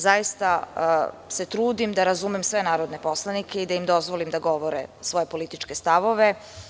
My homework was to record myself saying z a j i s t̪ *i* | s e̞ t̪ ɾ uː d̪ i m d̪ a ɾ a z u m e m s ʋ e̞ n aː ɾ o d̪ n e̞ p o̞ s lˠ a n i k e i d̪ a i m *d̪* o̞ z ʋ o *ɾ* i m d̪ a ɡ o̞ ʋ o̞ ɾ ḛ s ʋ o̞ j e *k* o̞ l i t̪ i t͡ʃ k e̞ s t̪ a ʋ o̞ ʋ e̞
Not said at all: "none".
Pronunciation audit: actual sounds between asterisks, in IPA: a, d̪, l, p

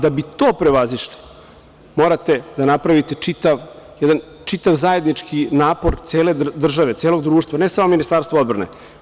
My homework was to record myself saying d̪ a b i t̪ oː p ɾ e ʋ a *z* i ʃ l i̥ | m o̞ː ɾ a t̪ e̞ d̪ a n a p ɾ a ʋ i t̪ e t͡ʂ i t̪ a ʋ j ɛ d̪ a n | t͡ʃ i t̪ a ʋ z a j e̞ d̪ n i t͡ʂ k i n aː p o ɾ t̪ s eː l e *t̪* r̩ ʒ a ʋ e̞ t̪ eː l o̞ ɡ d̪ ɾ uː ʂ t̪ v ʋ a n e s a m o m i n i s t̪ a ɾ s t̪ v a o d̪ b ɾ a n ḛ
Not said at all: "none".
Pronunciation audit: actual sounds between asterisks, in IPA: z, d̪

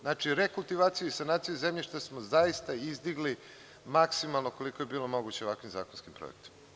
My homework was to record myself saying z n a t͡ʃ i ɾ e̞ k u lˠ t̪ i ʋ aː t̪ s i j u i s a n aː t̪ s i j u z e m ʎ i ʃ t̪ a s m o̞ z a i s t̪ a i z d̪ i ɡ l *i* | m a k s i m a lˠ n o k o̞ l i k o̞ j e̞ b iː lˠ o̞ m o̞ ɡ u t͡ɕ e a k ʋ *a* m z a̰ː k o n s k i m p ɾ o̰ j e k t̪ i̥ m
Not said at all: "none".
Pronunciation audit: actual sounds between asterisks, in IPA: i, i

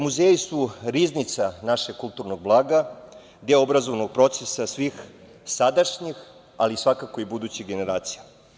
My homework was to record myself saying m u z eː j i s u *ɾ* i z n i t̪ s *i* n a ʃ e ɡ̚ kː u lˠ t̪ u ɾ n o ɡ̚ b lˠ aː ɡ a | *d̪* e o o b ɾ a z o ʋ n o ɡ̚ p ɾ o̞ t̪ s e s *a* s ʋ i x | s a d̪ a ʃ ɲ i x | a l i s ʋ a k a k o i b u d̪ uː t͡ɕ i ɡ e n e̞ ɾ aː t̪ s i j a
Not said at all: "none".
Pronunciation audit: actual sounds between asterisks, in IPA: ɾ, a, d̪, a

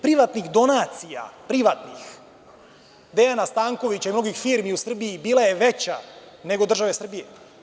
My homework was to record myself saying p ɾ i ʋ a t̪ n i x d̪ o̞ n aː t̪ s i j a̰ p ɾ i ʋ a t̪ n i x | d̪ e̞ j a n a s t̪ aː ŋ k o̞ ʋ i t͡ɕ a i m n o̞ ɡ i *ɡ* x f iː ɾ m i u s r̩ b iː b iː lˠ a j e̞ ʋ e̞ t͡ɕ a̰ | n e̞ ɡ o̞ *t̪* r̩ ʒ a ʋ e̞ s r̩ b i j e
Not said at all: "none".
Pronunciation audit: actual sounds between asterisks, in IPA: none, d̪

